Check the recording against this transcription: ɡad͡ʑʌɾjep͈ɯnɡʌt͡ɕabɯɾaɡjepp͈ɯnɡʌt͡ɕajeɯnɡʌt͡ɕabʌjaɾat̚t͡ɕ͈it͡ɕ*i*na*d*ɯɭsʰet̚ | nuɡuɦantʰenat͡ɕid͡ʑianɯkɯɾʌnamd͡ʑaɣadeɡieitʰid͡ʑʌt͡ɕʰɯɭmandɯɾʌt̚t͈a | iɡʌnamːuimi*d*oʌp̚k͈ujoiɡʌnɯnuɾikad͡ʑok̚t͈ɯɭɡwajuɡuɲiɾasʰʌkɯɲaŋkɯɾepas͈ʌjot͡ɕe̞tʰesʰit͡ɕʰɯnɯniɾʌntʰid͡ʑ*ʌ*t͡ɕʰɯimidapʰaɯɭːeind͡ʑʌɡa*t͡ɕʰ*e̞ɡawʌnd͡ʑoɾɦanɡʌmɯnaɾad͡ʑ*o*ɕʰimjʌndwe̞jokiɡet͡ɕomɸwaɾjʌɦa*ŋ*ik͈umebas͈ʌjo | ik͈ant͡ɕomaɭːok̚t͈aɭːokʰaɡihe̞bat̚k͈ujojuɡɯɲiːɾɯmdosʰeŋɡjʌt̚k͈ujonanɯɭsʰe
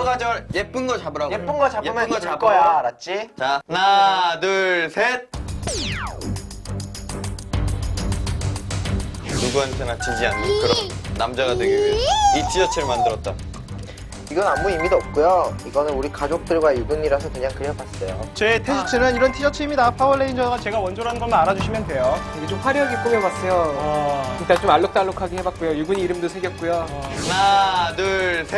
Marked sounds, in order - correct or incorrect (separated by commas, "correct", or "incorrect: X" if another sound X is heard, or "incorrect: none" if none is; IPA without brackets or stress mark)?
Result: incorrect: a, correct, correct, correct, incorrect: t͡ɕ, incorrect: u, incorrect: ɡ